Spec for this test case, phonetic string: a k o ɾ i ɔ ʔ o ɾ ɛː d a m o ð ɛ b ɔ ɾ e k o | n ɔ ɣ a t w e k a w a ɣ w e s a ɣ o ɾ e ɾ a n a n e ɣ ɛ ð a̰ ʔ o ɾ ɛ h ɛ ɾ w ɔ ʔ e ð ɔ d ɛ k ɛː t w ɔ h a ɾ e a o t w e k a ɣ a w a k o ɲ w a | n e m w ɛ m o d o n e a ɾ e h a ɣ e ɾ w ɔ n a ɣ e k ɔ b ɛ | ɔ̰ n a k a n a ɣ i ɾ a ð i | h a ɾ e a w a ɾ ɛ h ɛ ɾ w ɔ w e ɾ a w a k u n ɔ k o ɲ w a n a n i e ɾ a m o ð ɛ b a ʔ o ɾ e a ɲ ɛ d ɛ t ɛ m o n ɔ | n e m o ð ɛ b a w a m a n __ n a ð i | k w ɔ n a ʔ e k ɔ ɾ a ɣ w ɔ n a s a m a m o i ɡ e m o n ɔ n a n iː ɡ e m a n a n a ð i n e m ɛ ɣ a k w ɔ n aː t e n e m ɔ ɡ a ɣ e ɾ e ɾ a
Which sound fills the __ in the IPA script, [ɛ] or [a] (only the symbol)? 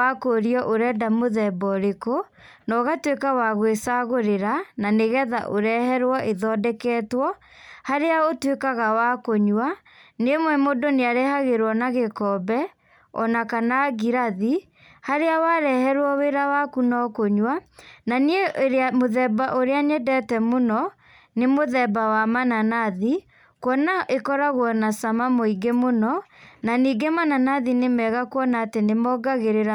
a